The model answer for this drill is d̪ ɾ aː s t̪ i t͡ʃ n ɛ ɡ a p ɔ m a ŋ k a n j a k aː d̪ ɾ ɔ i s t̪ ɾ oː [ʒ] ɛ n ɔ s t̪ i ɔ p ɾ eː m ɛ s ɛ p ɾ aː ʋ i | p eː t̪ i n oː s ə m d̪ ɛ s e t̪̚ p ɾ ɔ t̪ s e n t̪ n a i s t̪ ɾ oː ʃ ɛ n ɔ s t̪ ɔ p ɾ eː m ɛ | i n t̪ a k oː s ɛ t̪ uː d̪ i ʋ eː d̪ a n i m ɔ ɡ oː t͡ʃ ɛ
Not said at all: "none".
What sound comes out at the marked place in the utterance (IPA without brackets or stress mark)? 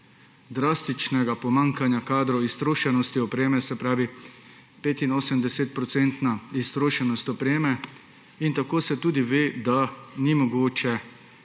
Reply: ʃ